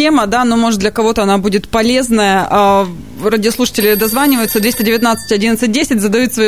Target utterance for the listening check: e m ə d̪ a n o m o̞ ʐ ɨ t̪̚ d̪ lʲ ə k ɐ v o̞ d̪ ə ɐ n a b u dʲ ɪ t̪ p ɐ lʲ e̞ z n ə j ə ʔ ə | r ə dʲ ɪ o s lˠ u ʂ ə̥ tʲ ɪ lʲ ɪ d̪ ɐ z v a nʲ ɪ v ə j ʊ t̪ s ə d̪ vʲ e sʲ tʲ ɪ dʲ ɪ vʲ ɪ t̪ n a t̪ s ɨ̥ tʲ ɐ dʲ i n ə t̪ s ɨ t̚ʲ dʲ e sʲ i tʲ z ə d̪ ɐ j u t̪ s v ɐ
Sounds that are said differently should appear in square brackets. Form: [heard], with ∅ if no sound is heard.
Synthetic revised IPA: e m ə d̪ a n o m o̞ ʐ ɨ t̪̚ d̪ lʲ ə k ɐ v o̞ [t̪] ə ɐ n a b u dʲ ɪ t̪ p ɐ lʲ e̞ z n ə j ə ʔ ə | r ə dʲ ɪ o s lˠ u ʂ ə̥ tʲ ɪ lʲ ɪ d̪ ɐ z v a nʲ ɪ v ə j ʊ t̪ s ə d̪ vʲ e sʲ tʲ ɪ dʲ ɪ vʲ ɪ t̪ n a t̪ s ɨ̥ tʲ ɐ dʲ i n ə t̪ s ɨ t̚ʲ dʲ e sʲ [ɪ] tʲ z ə d̪ ɐ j u t̪ s v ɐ